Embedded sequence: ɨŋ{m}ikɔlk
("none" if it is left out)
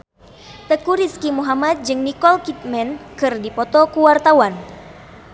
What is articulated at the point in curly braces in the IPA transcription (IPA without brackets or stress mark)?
n